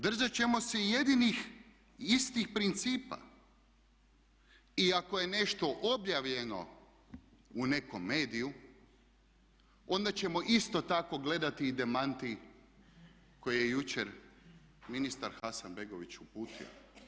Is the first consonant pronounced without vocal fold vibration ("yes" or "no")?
no